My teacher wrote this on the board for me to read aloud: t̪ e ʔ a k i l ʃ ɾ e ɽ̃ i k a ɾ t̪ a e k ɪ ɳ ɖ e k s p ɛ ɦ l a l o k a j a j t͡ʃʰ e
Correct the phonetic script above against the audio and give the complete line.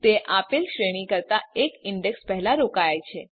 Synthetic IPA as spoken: t̪ e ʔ a p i l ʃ ɾ e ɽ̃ i k ə ɾ t̪ a e k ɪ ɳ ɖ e k s p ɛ ɦ l a ɾ o k a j a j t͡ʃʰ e